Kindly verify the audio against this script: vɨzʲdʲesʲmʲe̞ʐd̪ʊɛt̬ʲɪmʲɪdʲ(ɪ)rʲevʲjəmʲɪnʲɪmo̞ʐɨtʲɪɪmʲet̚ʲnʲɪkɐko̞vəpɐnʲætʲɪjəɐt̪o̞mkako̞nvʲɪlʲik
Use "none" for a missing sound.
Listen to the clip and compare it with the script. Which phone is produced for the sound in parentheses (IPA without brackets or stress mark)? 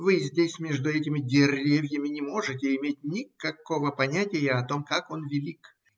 ɪ